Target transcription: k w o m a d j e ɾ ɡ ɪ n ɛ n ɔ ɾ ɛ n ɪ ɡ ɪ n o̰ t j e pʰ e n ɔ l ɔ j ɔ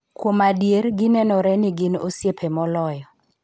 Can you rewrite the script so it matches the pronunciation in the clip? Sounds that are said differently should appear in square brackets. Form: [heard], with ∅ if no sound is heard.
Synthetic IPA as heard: k w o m a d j e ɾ ɡ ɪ n ɛ n ɔ ɾ ɛ n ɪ ɡ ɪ n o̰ [s] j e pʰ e [m] ɔ l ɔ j ɔ